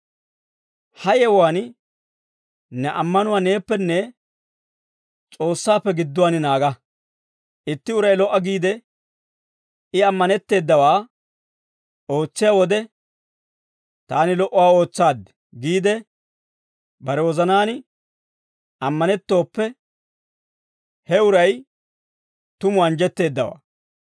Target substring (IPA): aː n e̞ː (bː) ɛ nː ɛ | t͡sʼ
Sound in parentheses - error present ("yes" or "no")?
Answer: yes